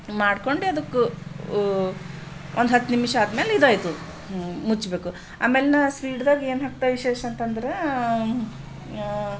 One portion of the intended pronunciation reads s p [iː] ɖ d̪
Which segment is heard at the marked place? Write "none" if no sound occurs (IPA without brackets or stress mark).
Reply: iː